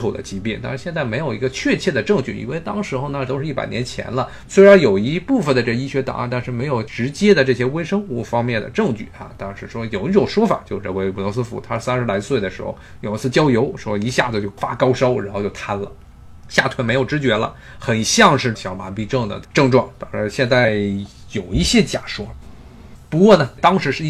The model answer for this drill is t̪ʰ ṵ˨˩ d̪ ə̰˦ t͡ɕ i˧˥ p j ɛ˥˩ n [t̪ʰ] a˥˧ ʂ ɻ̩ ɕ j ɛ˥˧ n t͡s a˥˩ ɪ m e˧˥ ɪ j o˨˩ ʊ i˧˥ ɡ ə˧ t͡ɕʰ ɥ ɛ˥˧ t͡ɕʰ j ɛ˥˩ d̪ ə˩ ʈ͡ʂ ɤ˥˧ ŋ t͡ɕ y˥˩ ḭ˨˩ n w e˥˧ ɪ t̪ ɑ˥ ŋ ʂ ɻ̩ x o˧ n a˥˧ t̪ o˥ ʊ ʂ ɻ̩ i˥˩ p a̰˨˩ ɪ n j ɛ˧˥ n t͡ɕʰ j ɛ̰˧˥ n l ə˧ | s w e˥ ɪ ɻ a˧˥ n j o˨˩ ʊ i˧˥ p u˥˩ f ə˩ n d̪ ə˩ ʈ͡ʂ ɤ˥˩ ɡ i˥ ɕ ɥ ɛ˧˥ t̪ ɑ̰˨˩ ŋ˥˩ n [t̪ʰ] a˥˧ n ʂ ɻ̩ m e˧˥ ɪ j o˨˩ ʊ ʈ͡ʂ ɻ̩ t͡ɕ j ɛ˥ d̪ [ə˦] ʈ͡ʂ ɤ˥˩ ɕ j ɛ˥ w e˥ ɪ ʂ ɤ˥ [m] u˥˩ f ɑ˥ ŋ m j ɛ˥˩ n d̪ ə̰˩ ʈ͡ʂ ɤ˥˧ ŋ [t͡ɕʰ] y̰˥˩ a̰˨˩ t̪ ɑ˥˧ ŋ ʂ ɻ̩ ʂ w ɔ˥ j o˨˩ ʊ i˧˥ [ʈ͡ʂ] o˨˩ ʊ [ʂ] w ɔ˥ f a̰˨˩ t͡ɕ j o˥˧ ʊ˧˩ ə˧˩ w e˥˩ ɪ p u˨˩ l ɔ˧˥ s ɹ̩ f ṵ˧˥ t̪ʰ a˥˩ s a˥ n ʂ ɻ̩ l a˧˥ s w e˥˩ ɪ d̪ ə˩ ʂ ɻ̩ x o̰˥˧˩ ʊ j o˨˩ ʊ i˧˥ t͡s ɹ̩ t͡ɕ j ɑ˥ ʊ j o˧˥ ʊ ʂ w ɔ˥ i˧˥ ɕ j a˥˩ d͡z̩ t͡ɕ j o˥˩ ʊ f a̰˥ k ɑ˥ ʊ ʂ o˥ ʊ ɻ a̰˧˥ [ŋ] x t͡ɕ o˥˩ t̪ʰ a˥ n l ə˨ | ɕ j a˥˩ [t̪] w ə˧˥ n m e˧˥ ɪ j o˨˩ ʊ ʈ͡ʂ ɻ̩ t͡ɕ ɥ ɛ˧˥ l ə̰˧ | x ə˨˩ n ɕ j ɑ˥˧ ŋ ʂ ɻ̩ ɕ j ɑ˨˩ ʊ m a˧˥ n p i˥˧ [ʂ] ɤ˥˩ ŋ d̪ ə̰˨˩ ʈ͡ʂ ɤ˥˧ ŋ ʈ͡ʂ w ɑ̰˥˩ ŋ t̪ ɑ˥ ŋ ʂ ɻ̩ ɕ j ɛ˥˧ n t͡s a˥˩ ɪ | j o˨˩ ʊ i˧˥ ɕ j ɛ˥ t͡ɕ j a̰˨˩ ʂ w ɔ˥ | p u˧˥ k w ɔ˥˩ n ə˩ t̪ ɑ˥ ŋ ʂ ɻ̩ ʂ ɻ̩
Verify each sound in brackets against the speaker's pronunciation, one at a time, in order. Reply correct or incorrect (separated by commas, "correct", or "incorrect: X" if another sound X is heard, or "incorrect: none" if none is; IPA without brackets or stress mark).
incorrect: t̪, incorrect: t̪, incorrect: ə˨, incorrect: ŋ, incorrect: t͡ɕ, correct, correct, incorrect: n, incorrect: t̪ʰ, incorrect: ʈ͡ʂ